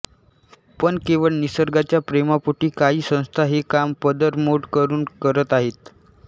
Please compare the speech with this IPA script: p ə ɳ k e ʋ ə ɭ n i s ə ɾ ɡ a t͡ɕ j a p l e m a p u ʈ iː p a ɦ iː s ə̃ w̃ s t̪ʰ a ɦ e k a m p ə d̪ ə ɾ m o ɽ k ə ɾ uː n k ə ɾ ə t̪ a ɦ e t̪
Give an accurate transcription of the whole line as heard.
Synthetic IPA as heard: p ə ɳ k e ʋ ə ɭ n i s ə ɾ ɡ a t͡ɕ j a p ɾ e m a p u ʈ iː k a ɦ iː s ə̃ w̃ s t̪ʰ a ɦ e k a m p ə d̪ ə ɾ m o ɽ k ə ɾ uː n k ə ɾ ə t̪ a ɦ e t̪